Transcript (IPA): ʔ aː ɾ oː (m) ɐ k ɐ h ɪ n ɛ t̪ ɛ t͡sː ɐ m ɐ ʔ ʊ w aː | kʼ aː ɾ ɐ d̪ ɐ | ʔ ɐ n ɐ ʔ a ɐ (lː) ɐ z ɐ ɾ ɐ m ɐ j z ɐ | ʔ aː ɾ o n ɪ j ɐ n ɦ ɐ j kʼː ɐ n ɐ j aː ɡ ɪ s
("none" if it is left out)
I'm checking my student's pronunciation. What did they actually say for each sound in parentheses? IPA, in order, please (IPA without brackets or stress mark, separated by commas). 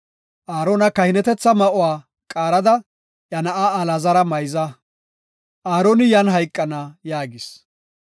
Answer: n, l